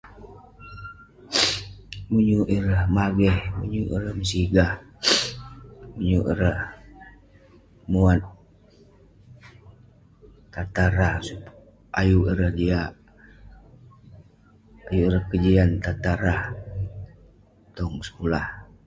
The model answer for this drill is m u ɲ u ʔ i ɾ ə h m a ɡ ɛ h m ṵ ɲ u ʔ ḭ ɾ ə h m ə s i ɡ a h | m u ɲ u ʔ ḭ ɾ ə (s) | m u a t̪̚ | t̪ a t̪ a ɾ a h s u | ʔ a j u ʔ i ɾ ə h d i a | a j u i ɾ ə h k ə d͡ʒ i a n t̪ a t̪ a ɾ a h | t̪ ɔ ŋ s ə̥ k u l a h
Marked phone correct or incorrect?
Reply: incorrect